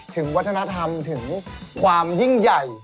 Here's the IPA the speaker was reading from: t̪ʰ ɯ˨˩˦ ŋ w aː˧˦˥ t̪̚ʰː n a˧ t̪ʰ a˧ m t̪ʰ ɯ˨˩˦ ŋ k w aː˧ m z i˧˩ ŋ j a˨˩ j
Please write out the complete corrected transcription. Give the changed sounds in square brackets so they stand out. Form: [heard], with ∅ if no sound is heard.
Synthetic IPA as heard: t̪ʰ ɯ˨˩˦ ŋ w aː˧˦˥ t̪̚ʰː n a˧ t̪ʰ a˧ m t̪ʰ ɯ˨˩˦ ŋ k w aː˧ m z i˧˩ ŋ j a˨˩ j